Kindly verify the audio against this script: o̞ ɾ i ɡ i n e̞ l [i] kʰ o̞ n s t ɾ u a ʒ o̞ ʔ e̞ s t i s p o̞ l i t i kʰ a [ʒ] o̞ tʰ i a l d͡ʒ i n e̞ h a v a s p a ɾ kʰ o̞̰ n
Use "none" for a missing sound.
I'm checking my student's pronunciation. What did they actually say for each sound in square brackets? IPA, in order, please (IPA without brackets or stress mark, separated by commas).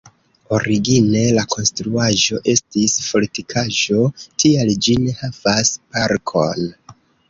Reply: a, ʒ